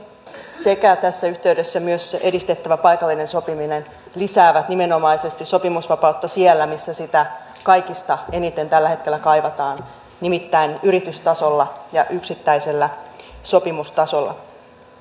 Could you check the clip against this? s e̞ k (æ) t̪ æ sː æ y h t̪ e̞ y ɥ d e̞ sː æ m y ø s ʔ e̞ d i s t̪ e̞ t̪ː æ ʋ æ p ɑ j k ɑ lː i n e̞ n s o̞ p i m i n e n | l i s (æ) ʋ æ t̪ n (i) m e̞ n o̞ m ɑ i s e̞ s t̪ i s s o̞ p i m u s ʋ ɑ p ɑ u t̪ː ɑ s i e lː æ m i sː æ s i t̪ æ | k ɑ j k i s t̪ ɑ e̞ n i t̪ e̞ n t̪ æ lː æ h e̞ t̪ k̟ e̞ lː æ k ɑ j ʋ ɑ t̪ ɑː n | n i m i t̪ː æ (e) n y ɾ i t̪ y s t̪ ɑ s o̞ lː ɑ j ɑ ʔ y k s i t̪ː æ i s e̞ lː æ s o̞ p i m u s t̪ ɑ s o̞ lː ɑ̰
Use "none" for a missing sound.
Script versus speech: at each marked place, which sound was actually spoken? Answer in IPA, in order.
æ, æː, i, i

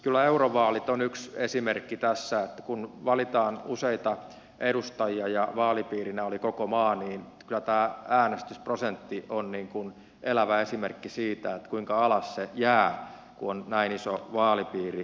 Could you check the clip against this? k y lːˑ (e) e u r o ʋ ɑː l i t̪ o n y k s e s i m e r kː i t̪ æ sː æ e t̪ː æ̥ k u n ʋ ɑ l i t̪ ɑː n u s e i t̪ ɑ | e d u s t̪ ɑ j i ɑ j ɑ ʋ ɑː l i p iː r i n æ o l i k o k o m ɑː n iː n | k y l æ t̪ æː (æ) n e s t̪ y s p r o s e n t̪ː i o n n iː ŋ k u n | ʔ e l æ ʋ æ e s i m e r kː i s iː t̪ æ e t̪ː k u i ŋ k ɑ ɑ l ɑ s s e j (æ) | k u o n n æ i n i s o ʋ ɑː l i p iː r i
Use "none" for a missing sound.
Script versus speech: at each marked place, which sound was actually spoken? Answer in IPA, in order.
æ, æː, æː

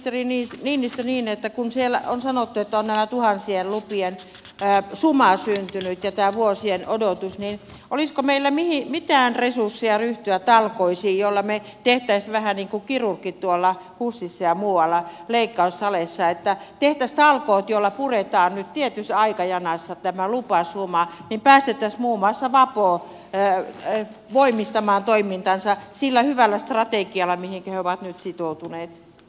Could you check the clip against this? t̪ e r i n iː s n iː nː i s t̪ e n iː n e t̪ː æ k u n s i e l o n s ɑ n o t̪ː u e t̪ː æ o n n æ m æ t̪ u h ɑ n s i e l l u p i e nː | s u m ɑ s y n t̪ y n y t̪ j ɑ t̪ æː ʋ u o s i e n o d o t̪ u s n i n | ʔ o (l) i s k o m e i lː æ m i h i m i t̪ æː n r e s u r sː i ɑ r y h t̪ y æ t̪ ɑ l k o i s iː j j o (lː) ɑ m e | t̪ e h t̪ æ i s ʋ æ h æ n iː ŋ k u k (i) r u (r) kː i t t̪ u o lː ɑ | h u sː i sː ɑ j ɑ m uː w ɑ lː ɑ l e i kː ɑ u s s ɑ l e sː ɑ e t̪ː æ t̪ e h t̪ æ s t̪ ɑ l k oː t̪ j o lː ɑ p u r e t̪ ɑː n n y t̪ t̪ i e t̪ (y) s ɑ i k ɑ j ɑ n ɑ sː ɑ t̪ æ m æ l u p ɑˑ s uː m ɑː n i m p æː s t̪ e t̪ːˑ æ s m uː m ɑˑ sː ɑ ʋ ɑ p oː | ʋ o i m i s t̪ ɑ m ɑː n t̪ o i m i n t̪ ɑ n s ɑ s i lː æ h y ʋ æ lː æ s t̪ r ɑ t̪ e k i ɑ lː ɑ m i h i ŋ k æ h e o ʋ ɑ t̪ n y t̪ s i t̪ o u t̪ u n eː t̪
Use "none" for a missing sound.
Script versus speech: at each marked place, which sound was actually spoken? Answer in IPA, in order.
l, lː, i, r, y

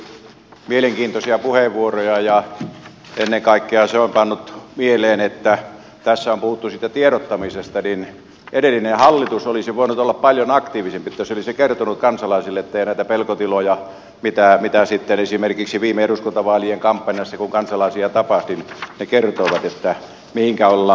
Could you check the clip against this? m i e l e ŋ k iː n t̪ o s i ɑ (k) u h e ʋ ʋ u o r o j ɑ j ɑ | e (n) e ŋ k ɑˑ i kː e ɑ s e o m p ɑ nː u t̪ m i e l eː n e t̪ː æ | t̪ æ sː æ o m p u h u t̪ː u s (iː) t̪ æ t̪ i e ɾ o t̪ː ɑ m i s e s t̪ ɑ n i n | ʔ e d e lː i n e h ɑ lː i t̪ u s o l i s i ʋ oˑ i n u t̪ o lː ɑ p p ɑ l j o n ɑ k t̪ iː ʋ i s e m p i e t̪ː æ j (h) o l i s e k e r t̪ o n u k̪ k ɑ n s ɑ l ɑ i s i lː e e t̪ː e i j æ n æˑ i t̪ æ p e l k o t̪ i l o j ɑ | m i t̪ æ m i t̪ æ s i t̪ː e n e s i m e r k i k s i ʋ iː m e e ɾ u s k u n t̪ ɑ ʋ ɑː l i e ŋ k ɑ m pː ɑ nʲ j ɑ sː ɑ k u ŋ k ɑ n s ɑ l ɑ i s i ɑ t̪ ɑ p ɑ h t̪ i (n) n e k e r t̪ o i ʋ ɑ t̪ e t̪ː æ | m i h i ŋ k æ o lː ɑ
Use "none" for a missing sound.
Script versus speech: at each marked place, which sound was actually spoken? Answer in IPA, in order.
p, nː, iː, s, n

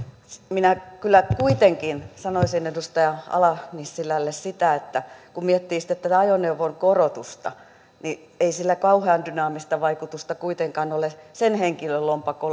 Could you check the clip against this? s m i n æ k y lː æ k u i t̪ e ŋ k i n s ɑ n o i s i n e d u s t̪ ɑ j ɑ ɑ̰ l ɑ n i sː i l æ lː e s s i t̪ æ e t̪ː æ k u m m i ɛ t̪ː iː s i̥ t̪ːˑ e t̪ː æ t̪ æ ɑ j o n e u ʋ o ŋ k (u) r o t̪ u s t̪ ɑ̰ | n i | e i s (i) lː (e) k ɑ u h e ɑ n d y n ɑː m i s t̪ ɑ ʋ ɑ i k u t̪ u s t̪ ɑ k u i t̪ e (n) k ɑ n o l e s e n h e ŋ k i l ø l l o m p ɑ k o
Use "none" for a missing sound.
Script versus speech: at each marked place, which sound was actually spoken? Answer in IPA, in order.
o, i, æ, ŋ

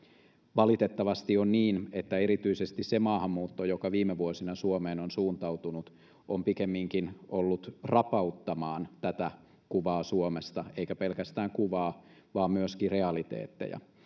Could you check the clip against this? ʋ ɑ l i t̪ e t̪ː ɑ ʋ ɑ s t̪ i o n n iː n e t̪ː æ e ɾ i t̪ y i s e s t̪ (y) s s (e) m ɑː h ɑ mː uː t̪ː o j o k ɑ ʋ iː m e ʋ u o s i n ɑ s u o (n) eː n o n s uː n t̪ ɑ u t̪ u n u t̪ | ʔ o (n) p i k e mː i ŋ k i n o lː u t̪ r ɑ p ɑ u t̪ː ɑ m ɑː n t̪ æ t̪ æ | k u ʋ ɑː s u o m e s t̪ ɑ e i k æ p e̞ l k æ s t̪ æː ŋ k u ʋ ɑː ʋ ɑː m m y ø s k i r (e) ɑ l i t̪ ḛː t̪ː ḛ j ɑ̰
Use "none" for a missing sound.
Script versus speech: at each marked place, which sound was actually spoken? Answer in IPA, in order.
i, e, m, m, e

